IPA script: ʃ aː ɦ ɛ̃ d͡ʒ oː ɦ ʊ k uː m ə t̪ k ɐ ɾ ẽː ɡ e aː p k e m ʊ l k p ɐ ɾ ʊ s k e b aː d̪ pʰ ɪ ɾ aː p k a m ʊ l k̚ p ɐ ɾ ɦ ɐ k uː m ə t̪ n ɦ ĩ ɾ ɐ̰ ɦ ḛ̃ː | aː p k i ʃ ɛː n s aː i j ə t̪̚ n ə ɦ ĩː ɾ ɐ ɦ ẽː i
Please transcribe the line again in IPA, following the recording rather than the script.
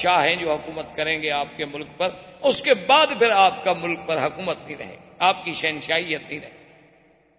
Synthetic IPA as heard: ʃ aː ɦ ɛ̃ d͡ʒ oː ɦ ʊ k uː m ə t̪ k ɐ ɾ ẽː ɡ e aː p k e m ʊ l k p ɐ ɾ ʊ s k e b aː d̪ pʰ ɪ ɾ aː p k a m ʊ l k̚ p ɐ ɾ ɦ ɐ k uː m ə t̪ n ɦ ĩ ɾ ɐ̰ ɦ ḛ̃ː | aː p k i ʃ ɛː n ʃ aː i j ə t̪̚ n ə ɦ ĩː ɾ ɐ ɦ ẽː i